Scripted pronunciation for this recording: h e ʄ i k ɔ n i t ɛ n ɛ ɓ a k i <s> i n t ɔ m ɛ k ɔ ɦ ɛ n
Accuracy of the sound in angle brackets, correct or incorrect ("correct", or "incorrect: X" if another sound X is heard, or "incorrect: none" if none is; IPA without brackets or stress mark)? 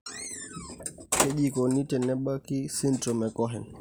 correct